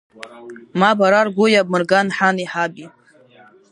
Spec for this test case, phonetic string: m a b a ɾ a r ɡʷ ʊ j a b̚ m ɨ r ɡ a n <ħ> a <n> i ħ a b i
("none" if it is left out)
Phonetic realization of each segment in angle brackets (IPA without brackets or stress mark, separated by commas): ħ, n